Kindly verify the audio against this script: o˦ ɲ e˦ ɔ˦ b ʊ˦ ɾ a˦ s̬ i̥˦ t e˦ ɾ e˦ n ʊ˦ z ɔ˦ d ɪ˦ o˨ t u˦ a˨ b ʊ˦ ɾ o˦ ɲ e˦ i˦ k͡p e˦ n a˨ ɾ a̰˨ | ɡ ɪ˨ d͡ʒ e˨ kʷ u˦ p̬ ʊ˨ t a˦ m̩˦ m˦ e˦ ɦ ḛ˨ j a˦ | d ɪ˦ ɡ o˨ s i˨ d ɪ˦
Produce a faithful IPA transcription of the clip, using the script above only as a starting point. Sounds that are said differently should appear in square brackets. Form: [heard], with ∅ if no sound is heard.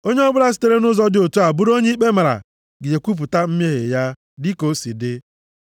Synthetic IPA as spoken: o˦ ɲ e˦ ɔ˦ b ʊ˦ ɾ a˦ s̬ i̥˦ t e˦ ɾ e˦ n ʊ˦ z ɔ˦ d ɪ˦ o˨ t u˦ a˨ b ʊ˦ ɾ o˦ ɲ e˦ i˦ k͡p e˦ [m] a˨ ɾ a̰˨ | ɡ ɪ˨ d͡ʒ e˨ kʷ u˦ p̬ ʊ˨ t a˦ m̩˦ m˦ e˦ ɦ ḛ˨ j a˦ | d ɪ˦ [k] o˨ s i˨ d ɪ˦